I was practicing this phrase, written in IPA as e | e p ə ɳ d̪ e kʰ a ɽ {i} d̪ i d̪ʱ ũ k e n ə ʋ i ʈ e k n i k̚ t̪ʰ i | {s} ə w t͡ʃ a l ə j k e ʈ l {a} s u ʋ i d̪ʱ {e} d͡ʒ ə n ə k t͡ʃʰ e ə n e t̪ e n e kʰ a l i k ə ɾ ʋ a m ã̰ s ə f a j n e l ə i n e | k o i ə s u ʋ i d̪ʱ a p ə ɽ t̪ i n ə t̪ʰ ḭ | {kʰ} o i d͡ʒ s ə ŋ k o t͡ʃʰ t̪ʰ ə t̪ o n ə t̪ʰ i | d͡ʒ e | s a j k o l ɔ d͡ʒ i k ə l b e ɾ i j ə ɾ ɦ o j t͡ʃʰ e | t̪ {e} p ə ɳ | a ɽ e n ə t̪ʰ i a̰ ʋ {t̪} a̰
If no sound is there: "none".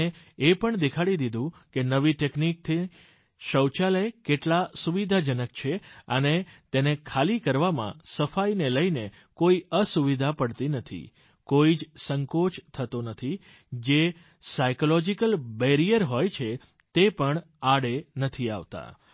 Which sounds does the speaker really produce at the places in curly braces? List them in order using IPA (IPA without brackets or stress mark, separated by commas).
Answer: i, ʃ, a, a, k, e, t̪